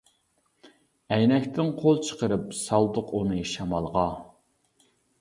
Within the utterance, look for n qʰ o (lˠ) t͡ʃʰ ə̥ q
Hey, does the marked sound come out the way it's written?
yes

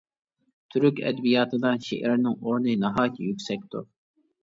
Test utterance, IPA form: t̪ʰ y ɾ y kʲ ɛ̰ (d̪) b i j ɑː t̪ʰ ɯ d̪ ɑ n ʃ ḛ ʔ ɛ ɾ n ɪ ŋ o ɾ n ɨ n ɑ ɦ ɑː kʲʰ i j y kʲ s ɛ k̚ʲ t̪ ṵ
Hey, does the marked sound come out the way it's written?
yes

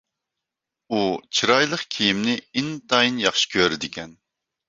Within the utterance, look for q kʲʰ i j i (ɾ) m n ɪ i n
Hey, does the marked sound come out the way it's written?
no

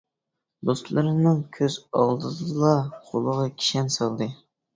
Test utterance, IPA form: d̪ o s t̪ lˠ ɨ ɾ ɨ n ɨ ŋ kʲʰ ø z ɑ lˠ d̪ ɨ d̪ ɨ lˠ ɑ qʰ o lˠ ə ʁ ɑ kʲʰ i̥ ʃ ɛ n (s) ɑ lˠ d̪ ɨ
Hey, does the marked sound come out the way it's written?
yes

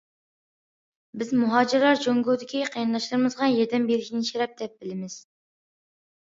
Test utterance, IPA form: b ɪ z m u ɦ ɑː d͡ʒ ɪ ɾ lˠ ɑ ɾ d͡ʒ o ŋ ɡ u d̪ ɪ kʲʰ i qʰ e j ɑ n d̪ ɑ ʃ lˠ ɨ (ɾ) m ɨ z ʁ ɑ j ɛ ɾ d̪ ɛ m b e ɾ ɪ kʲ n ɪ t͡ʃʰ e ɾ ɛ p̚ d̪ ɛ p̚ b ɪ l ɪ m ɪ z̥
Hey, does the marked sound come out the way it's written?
yes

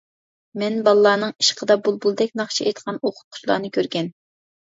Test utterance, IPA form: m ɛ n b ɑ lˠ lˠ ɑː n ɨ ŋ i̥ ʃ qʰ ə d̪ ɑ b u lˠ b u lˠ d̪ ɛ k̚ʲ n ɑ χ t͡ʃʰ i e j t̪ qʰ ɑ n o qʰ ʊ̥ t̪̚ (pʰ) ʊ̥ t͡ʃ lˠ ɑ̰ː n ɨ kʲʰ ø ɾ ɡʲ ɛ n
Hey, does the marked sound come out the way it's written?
no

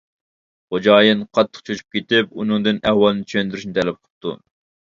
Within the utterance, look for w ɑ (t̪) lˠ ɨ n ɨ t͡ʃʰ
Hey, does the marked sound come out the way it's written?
no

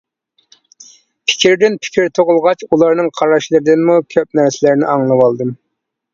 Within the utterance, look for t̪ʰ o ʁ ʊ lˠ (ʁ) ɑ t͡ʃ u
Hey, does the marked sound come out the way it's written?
yes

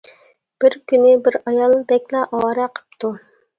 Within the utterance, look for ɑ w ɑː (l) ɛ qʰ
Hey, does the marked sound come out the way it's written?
no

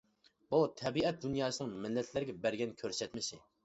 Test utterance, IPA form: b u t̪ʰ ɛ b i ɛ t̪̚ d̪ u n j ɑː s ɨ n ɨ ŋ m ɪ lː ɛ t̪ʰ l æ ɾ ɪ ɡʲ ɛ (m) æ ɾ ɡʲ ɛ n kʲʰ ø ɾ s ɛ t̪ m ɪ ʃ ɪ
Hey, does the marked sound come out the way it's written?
no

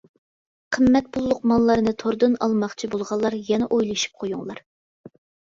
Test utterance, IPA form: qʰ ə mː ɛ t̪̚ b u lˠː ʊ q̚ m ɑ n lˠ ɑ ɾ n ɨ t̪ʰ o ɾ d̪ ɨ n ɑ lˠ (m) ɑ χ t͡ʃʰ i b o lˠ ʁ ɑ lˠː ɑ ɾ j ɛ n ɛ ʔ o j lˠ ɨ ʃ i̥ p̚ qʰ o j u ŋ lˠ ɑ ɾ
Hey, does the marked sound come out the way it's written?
yes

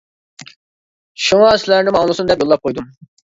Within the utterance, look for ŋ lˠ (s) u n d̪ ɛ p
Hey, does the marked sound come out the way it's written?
yes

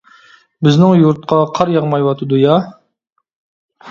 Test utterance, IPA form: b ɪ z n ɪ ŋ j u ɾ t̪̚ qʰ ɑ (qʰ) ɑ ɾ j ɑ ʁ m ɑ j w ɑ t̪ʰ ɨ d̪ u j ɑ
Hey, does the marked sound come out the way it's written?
yes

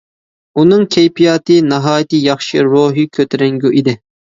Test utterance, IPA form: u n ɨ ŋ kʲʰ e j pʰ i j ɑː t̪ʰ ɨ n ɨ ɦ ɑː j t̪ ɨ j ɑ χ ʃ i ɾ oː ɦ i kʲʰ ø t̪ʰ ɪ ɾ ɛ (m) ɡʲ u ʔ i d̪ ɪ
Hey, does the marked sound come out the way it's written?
no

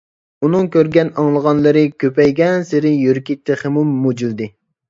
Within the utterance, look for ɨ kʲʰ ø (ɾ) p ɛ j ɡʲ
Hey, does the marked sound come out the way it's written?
no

